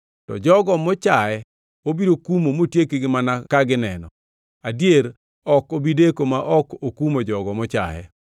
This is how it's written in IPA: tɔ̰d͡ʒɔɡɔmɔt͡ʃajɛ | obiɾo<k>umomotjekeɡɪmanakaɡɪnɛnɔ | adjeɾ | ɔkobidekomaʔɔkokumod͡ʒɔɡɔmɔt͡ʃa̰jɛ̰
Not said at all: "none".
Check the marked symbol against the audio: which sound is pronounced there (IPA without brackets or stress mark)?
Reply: k